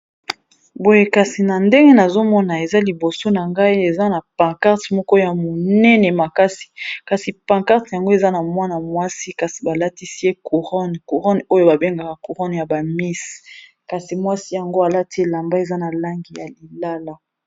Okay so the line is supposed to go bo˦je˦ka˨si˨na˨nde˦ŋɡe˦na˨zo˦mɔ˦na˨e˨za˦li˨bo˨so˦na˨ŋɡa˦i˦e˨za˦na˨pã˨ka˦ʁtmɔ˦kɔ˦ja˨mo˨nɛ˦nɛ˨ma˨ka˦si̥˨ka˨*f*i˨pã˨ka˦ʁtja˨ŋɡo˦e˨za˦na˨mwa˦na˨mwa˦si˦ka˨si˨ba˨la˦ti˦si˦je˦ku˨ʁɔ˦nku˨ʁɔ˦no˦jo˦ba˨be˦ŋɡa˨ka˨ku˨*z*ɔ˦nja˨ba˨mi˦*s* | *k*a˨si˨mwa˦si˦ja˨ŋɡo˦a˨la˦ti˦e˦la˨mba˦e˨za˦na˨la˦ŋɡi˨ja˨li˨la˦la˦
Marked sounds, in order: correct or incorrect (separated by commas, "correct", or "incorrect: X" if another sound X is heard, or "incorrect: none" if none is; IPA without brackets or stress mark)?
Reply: incorrect: s, incorrect: ʁ, correct, correct